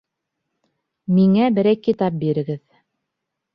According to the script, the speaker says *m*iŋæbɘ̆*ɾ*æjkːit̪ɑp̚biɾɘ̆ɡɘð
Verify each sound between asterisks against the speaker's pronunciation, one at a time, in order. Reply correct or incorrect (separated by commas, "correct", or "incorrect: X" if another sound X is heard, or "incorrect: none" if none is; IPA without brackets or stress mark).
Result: correct, correct